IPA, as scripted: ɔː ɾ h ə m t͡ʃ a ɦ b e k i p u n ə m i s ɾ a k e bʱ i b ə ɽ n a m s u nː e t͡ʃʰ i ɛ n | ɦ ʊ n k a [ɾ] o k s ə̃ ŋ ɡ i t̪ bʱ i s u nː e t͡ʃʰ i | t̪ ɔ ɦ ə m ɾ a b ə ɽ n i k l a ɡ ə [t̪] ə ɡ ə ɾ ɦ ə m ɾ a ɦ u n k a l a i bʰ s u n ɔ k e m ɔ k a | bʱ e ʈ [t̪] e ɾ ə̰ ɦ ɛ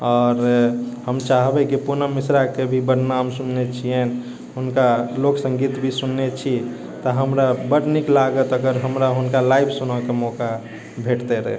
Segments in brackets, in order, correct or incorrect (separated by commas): incorrect, correct, correct